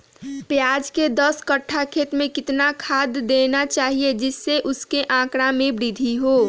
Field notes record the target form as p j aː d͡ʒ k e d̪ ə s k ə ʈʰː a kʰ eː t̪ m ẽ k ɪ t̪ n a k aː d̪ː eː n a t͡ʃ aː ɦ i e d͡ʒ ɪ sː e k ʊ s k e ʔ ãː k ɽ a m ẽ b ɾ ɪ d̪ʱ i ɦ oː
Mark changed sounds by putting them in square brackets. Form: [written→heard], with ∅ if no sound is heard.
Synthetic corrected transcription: p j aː d͡ʒ k e d̪ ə s k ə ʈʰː a kʰ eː t̪ m ẽ k ɪ t̪ n a [k→kʰ] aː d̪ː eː n a t͡ʃ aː ɦ i e d͡ʒ ɪ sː e [k→ʔ] ʊ s k e ʔ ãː k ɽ a m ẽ b ɾ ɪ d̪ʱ i ɦ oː